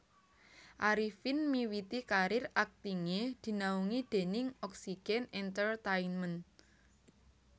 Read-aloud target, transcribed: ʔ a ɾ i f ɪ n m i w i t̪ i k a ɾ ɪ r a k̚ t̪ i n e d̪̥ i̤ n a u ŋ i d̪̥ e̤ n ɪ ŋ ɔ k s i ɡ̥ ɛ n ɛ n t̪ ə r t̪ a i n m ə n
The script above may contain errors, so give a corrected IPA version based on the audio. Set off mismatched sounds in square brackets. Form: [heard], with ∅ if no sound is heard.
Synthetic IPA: ʔ a ɾ i f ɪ n m i w i t̪ i k a ɾ ɪ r a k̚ t̪ i [ŋ] e d̪̥ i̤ n a u ŋ i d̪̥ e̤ n ɪ ŋ ɔ k s i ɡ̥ ɛ n ɛ n t̪ ə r t̪ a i n m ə n